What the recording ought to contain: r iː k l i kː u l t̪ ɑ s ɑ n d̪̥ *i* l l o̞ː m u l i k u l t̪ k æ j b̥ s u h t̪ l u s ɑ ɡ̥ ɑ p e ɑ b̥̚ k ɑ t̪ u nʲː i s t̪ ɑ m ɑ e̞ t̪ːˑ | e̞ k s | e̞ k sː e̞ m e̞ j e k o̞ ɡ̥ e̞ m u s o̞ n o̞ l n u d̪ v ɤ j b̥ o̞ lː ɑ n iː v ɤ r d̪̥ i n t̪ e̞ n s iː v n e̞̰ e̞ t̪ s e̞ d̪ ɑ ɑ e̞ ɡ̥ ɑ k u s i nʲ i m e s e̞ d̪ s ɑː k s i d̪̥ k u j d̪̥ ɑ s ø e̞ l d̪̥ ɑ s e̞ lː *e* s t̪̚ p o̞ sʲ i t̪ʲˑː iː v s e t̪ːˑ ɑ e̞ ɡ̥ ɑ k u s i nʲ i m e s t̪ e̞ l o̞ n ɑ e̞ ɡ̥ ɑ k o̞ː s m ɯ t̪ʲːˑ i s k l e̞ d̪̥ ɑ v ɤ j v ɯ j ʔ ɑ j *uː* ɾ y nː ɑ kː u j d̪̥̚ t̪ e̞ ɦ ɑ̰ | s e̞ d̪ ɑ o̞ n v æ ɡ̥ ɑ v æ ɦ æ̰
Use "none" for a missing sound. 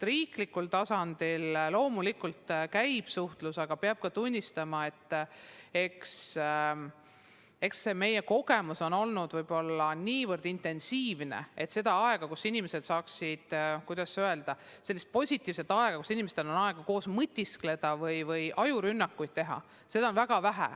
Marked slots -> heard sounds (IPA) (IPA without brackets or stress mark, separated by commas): i, i, u